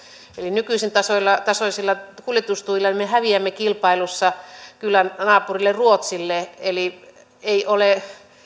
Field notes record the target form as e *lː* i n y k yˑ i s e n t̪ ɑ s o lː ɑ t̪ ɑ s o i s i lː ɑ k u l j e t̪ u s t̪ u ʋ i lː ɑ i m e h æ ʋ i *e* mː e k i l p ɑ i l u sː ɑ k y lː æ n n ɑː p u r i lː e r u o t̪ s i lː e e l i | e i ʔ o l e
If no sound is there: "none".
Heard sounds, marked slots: l, æ

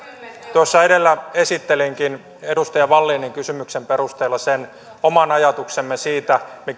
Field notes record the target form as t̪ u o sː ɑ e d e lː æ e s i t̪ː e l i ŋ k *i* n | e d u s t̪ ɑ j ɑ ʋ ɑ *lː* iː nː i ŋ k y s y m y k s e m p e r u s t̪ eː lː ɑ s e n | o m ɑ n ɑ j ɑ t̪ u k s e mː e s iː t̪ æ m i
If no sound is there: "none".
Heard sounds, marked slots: i, lː

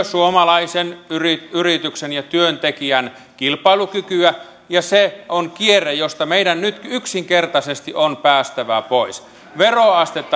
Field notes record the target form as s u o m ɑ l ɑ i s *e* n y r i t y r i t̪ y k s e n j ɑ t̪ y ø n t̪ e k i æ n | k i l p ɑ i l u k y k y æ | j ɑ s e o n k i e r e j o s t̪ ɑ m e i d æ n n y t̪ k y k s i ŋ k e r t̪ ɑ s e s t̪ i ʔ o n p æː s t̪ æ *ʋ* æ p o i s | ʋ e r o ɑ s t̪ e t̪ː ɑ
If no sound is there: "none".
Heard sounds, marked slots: e, ʋ

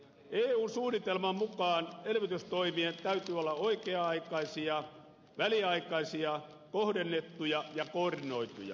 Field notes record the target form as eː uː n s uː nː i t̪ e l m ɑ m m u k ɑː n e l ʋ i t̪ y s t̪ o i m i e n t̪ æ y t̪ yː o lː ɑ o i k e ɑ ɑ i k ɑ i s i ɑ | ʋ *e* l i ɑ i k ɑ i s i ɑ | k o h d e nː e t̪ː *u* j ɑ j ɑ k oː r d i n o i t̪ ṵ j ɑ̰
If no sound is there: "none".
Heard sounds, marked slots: æ, u

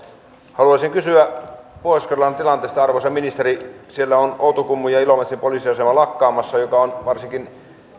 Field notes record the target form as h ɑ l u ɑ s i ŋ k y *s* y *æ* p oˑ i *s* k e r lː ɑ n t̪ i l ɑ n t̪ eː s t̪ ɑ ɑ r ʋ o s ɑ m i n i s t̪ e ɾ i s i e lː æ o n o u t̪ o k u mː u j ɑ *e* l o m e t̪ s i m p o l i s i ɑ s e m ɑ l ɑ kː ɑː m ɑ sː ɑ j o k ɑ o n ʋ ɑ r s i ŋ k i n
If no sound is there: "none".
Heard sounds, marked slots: s, æ, s, i

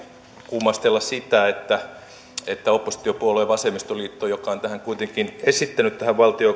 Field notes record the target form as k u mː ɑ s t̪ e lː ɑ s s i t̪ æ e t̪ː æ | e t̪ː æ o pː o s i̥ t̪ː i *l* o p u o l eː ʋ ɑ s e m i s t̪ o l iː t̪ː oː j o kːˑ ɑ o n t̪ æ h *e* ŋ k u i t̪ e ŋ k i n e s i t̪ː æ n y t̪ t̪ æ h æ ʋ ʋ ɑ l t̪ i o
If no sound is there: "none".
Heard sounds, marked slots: none, æ

